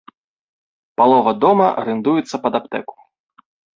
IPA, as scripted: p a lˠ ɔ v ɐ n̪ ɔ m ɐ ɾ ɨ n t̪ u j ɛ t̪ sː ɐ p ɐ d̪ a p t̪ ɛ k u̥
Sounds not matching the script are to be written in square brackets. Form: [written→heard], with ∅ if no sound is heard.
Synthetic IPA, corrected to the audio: p a lˠ ɔ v ɐ [n̪→d̪] ɔ m ɐ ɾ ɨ n [t̪→d̪] u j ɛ t̪ sː ɐ p ɐ d̪ a p t̪ ɛ k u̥